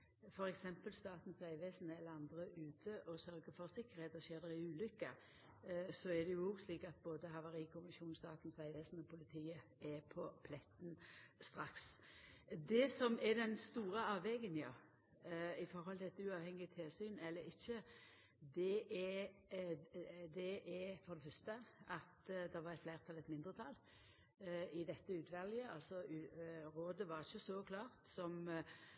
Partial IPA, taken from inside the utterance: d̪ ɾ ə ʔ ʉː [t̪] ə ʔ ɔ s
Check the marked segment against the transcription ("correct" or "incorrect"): incorrect